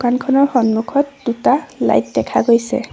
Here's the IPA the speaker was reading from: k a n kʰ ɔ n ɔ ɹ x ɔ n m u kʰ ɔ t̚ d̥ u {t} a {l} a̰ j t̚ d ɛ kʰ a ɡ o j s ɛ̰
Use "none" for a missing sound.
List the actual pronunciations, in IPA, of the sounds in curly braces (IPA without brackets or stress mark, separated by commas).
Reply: t, l